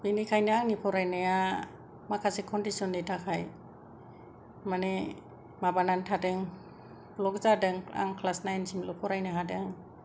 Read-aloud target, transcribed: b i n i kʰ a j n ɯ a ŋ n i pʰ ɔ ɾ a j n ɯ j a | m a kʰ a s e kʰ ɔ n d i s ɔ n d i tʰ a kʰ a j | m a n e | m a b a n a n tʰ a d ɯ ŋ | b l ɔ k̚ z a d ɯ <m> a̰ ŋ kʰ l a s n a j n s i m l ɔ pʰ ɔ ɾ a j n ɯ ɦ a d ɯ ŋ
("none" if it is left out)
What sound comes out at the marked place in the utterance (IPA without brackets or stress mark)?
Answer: ŋ